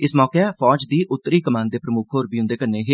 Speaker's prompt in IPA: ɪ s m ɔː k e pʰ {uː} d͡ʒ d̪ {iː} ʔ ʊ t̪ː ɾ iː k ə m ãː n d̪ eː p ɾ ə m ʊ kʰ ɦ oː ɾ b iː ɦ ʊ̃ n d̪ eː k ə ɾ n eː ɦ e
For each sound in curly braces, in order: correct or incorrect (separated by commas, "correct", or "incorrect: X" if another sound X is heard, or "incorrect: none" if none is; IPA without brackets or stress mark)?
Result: incorrect: ɔː, correct